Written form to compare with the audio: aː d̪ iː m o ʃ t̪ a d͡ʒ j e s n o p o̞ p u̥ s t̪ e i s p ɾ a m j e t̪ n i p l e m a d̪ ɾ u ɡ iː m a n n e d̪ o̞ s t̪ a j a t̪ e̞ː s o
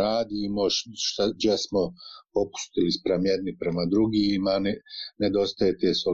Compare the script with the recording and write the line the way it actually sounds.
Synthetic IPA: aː d̪ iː m o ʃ t̪ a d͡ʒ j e s m o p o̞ p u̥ s t̪ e i s p ɾ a m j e d̪ n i p ɾ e m a d̪ ɾ u ɡ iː m a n n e d̪ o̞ s t̪ a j e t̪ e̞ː s o